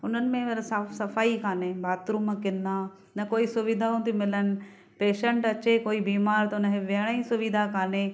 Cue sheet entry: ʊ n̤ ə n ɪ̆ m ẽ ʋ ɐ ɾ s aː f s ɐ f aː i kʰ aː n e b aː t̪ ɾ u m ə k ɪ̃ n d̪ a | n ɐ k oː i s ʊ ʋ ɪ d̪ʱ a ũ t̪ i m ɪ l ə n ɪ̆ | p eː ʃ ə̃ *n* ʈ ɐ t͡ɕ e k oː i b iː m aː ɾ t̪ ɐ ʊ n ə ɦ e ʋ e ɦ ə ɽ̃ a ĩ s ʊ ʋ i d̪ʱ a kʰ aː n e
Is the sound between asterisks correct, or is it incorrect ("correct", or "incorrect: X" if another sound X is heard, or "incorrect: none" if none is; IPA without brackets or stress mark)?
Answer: incorrect: ɳ